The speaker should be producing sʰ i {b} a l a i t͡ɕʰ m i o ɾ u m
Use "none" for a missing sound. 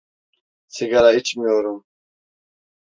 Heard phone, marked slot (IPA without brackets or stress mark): ɡ